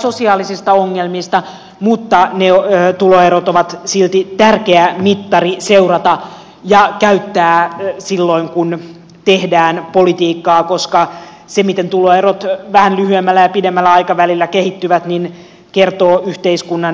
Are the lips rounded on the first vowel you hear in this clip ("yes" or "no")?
yes